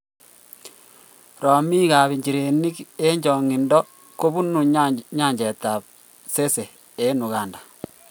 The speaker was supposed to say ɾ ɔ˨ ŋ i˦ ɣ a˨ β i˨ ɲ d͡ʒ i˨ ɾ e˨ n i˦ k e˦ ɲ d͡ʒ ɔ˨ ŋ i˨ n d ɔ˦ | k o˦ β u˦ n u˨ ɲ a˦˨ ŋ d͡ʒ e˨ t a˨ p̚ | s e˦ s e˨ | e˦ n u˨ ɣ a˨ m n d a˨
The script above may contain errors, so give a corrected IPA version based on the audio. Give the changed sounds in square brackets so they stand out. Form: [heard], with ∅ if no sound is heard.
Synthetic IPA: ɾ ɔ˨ [m] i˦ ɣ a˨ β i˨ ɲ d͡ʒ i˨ ɾ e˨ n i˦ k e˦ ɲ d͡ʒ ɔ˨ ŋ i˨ n d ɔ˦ | k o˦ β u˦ n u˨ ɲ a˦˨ [ɲ] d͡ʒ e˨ t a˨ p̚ | s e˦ s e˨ | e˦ n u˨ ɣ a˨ [∅] n d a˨